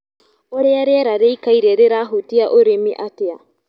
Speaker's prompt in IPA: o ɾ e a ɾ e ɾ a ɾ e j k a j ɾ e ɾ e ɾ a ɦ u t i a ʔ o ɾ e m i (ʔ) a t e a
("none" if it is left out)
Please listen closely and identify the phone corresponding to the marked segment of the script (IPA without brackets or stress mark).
ʔ